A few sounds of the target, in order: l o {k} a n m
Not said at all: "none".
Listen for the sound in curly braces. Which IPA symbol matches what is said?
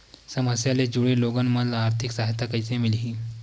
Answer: ɡ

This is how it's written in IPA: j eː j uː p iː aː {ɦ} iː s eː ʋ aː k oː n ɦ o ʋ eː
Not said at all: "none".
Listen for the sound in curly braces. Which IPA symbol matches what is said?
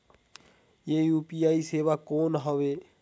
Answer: none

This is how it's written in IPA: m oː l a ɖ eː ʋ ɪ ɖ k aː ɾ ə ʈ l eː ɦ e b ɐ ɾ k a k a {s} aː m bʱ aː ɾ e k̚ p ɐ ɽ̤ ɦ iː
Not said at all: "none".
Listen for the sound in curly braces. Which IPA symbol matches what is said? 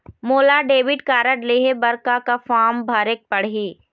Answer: f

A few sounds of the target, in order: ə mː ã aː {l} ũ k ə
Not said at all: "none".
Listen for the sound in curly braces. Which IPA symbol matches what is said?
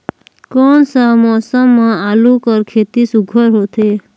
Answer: l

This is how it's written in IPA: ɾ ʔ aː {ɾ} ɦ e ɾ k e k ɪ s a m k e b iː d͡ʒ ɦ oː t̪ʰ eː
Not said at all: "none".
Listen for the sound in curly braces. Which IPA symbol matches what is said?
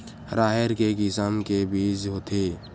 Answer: none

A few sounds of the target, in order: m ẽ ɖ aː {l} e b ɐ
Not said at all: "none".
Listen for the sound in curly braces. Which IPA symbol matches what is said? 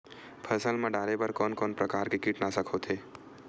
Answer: ɾ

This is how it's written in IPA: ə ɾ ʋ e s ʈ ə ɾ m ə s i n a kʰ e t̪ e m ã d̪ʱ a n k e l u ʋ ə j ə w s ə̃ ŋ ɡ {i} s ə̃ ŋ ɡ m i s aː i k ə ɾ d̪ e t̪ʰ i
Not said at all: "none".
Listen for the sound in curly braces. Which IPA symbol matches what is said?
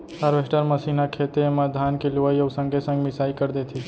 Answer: e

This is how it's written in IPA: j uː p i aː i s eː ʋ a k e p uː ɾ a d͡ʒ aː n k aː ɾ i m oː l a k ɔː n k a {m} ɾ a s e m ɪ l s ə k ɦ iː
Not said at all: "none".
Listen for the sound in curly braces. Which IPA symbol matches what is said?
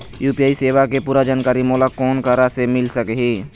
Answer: none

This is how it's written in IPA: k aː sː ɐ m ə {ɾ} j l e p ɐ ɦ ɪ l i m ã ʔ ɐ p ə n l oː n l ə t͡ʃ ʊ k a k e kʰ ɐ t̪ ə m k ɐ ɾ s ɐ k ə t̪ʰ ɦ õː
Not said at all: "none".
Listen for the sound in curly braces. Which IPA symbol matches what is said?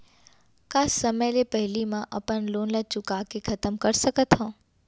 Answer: none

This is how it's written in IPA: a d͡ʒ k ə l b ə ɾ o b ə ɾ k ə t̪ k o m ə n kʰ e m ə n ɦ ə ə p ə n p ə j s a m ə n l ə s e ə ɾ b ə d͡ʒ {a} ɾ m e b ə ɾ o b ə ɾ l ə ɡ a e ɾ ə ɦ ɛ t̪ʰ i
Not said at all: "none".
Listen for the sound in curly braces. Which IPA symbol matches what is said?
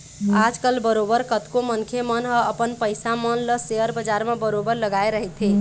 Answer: a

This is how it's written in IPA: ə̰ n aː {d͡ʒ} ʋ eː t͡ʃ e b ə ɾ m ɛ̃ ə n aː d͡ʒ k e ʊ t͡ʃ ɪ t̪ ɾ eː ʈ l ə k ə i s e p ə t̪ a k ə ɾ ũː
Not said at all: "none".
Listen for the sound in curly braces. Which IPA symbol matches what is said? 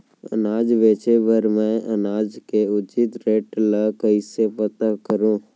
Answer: d͡ʒ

